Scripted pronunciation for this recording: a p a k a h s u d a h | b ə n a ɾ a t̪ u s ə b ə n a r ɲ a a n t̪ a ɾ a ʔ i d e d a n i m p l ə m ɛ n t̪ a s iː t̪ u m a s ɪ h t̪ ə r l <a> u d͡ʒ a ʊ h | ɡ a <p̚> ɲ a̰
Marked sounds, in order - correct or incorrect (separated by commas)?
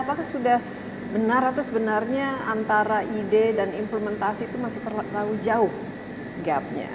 correct, correct